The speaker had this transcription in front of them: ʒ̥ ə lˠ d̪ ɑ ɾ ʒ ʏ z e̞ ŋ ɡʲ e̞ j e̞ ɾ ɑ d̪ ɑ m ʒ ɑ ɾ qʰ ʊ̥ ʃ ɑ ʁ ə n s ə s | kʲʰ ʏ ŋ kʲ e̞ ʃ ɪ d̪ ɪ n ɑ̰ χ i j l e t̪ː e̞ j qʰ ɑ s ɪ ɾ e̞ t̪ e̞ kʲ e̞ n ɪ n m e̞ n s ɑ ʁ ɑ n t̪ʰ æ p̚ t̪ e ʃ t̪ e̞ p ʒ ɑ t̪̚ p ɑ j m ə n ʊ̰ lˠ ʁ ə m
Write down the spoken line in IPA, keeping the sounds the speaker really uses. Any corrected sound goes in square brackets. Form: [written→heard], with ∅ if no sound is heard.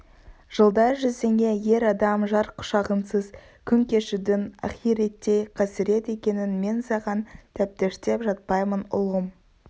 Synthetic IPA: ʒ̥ ə lˠ d̪ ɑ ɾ ʒ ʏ z e̞ ŋ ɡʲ e̞ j e̞ ɾ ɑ d̪ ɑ m ʒ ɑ ɾ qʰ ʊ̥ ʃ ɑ ʁ ə n s ə [s→z] | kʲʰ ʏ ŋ kʲ e̞ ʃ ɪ d̪ ɪ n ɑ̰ χ i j [l→ɾ] e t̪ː e̞ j qʰ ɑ s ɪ ɾ e̞ t̪ e̞ kʲ e̞ n ɪ n m e̞ n s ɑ ʁ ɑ n t̪ʰ æ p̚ t̪ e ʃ t̪ e̞ p ʒ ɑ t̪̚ p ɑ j m ə n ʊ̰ lˠ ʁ ə m